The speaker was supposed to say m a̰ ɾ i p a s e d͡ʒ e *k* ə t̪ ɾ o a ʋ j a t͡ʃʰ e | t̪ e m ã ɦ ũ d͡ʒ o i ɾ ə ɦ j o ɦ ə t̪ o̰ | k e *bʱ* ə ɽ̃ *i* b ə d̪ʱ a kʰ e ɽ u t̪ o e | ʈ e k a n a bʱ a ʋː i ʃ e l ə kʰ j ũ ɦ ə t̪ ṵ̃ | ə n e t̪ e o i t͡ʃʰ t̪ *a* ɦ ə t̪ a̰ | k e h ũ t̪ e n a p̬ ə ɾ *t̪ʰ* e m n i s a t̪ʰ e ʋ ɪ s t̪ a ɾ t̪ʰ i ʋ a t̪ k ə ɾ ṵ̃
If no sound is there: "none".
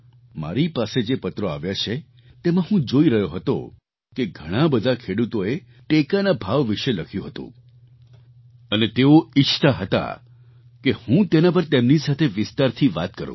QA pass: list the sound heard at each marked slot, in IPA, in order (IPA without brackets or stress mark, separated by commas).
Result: p, ɡʱ, a, a, t̪